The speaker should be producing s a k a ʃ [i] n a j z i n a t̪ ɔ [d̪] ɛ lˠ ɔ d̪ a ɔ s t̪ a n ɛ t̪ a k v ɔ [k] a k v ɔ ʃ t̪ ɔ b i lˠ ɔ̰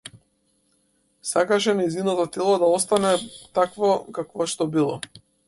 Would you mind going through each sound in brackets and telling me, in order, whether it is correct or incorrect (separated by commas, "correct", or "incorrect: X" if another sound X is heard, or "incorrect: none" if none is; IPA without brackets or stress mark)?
incorrect: ɛ, incorrect: t̪, correct